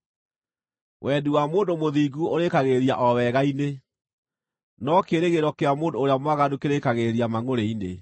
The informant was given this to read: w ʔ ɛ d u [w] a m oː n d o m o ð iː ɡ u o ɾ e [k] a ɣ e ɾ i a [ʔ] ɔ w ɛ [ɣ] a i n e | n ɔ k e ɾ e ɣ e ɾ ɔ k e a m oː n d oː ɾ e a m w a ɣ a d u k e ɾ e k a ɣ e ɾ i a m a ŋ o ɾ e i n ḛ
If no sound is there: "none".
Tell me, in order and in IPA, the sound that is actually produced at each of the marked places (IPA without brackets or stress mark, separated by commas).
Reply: w, k, ʔ, ɣ